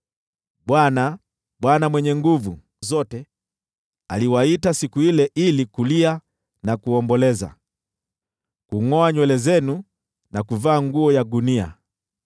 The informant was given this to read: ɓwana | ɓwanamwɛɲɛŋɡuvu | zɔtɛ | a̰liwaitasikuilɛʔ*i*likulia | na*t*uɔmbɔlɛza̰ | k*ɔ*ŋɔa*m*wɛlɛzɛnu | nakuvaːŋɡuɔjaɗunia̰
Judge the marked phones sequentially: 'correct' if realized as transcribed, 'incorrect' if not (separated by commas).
correct, incorrect, incorrect, incorrect